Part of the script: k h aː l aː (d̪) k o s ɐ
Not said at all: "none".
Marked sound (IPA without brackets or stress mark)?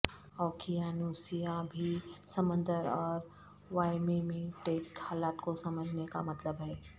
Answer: t̪